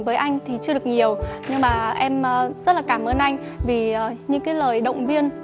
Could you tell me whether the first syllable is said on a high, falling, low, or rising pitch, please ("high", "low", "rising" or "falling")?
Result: rising